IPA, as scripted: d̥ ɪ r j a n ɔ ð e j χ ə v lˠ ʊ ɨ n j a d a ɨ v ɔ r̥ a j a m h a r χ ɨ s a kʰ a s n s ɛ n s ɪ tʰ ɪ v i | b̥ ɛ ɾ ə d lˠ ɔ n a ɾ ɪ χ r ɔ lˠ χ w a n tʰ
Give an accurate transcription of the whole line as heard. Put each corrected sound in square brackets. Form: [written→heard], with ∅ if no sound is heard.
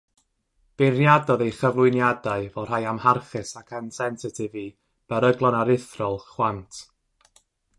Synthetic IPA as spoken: [d̥→b̥] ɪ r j a [n→d] ɔ ð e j χ ə v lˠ ʊ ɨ n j a d a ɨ v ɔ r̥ a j a m h a r χ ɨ s a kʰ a [s→∅] n s ɛ n s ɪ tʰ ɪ v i | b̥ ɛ ɾ ə [d→ɡ] lˠ ɔ n a ɾ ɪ [χ→θ] r ɔ lˠ χ w a n tʰ